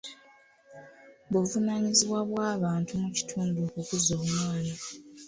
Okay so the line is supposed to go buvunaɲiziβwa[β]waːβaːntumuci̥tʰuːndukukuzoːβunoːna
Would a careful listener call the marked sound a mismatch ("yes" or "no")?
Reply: no